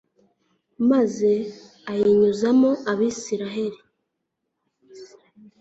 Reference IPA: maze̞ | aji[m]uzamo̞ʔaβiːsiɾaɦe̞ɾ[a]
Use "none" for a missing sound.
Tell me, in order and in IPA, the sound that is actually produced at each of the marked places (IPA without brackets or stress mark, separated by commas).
ɲ, i